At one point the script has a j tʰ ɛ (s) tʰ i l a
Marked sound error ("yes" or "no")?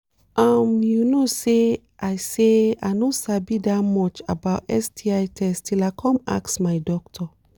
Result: no